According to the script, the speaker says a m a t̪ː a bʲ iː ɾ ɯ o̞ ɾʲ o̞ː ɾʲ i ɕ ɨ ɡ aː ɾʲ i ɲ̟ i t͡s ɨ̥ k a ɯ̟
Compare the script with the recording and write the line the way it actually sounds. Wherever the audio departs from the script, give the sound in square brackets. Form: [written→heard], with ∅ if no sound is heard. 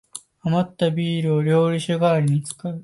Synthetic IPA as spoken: a m a t̪ː a bʲ iː ɾ ɯ o̞ ɾʲ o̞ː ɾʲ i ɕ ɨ ɡ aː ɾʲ i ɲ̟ i t͡s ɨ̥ k a ɯ̟

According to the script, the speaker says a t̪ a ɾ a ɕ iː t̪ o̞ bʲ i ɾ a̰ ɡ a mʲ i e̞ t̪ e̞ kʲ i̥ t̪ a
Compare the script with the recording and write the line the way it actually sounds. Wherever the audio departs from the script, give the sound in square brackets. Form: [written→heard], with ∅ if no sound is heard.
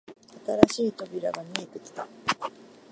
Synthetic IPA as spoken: a t̪ a ɾ a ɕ iː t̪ o̞ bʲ i ɾ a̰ ɡ a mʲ i e̞ t̪ e̞ kʲ i̥ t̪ a

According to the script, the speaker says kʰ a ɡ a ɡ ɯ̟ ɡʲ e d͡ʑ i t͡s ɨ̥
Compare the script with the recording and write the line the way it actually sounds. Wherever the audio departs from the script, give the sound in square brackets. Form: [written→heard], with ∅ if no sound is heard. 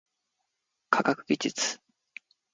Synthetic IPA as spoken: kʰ a [ɡ→k] a [ɡ→k] ɯ̟ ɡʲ [e→i] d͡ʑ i t͡s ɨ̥

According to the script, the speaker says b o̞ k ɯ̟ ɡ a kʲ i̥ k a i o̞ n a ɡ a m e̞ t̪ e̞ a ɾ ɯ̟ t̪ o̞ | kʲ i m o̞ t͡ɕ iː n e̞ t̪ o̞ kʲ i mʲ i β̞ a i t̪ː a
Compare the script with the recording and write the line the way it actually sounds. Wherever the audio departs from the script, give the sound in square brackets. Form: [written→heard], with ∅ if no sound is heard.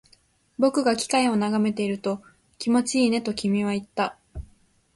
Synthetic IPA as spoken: b o̞ k ɯ̟ ɡ a kʲ i̥ k a i o̞ n a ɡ a m e̞ t̪ e̞ [a→i] ɾ ɯ̟ t̪ o̞ | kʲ i m o̞ t͡ɕ iː n e̞ t̪ o̞ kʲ i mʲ i β̞ a i t̪ː a

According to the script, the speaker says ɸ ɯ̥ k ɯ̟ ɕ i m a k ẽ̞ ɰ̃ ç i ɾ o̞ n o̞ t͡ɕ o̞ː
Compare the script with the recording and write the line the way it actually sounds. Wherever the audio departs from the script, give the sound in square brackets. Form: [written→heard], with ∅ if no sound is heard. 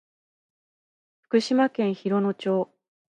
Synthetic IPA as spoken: ɸ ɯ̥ k ɯ̟ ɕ i m a k ẽ̞ ɰ̃ ç i ɾ o̞ n o̞ t͡ɕ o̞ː

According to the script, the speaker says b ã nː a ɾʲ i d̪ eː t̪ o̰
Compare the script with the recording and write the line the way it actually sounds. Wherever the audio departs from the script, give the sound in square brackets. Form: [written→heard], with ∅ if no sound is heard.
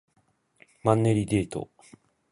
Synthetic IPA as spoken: [b→m] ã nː [a→e] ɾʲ i d̪ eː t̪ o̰

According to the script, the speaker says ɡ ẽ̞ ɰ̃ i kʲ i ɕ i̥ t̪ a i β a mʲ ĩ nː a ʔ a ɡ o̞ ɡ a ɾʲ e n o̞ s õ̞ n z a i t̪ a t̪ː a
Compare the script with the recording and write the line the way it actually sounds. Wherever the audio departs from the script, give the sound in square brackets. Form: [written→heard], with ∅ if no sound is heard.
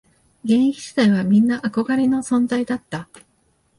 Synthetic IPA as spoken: ɡ ẽ̞ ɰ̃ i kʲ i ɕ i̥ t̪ a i β a mʲ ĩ nː a ʔ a [ɡ→k] o̞ ɡ a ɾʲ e n o̞ s õ̞ n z a i [t̪→d̪] a t̪ː a

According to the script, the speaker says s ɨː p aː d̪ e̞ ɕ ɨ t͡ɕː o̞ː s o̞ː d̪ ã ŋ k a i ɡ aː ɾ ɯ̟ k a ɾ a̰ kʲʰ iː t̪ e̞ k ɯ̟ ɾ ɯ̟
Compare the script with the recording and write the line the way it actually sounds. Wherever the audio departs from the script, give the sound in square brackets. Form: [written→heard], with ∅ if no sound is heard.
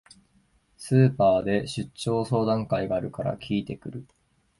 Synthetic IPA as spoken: s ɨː p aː d̪ e̞ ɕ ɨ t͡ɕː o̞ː s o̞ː d̪ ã ŋ k a i ɡ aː ɾ ɯ̟ k a ɾ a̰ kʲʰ iː t̪ e̞ k ɯ̟ ɾ ɯ̟

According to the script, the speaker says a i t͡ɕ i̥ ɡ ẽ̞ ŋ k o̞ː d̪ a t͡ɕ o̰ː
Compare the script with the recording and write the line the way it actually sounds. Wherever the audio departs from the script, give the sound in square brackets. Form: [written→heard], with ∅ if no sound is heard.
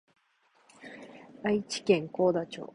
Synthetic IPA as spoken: a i t͡ɕ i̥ [ɡ→k] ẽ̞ ŋ k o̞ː d̪ a t͡ɕ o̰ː

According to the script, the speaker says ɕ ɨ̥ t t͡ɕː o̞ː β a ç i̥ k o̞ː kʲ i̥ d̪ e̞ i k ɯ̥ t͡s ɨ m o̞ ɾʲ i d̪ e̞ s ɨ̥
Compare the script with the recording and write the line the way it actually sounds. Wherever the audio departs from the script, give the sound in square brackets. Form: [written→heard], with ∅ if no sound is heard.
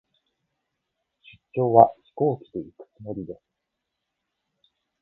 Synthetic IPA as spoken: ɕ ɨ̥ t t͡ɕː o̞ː β a ç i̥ k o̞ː kʲ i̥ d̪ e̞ i k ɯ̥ t͡s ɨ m o̞ ɾʲ i d̪ e̞ s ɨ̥

